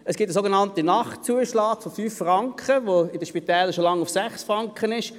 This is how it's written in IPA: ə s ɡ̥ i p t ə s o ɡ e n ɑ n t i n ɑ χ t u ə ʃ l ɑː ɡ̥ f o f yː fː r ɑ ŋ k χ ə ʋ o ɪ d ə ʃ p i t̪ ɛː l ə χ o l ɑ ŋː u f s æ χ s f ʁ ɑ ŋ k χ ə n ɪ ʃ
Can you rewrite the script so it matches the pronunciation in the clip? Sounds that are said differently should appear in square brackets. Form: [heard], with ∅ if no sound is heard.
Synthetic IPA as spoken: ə s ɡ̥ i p t ə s o ɡ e n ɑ n t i n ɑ χ [t͡s] u ə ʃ l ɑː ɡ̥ f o f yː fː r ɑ ŋ k χ ə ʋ o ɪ d ə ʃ p i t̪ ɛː l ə [ʃ] o l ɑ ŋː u f s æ χ s f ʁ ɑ ŋ k χ ə n ɪ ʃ